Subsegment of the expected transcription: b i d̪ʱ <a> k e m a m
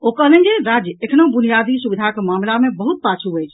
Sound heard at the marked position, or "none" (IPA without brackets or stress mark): a